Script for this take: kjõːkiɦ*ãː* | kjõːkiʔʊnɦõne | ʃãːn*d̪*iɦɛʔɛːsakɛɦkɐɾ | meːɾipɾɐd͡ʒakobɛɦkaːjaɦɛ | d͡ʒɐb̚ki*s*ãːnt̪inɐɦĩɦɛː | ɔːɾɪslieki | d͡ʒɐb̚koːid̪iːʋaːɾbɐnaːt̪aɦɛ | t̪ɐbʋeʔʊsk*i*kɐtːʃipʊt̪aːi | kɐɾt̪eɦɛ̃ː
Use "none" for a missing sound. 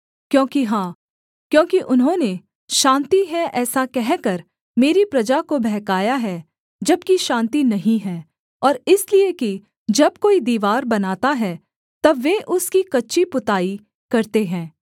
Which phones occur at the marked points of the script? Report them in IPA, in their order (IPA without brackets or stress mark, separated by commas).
ãː, t̪, ʃ, i